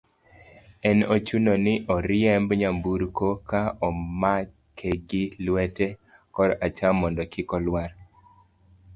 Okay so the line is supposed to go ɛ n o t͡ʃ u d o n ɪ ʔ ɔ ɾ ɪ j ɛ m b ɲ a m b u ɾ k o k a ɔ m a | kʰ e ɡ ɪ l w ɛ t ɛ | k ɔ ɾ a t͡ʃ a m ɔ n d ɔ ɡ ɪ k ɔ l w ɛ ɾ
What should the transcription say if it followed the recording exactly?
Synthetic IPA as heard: ɛ n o t͡ʃ u n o n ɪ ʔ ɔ ɾ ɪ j ɛ m b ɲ a m b u ɾ k o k a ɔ m a | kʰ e ɡ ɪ l w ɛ t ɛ | k ɔ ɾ a t͡ʃ a m ɔ n d ɔ k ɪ k ɔ l w a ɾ